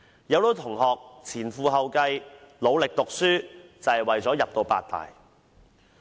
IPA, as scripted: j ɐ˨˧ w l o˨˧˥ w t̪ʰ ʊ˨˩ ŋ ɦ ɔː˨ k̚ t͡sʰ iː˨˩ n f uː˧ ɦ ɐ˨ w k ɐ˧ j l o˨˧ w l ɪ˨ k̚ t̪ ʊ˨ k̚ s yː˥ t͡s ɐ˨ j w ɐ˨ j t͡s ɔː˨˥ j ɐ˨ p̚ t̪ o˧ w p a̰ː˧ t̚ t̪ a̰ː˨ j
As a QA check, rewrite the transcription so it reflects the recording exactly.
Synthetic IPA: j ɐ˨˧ w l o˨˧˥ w t̪ʰ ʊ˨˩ ŋ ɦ ɔː˨ k̚ t͡sʰ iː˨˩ n f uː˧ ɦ ɐ˨ w k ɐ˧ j l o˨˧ w l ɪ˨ k̚ t̪ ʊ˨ k̚ s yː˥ t͡s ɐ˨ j w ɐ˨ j t͡s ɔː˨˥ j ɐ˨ p̚ t̪ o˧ w p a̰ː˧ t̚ t̪ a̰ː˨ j